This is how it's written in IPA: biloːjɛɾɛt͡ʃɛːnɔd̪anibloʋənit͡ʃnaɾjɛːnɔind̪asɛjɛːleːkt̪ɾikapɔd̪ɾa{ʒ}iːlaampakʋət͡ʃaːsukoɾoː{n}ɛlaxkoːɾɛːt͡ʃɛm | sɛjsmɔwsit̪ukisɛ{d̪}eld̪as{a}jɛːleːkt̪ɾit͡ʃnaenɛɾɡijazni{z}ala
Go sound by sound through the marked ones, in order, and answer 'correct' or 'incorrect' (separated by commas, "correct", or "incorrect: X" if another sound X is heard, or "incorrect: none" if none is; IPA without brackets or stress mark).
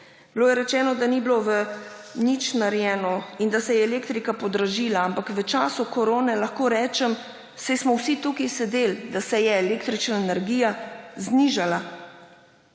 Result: correct, correct, correct, incorrect: ɛ, incorrect: ʒ